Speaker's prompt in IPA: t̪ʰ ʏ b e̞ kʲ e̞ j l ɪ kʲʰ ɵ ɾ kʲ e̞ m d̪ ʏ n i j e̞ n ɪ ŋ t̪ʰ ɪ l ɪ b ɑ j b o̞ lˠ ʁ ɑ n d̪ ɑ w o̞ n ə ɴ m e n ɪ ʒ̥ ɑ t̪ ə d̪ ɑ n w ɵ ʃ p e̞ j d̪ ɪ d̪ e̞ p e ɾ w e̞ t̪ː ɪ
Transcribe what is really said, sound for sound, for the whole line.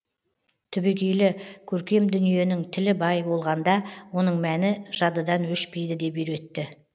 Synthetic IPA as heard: t̪ʰ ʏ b e̞ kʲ e̞ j l ɪ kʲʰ ɵ ɾ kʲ e̞ m d̪ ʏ n i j e̞ n ɪ ŋ t̪ʰ ɪ l ɪ b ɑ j b o̞ lˠ ʁ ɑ n d̪ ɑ w o̞ n ə ɴ m æ n ɪ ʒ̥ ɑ d̪ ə d̪ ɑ n w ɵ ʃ p e̞ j d̪ ɪ d̪ e̞ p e ɾ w e̞ t̪ː ɪ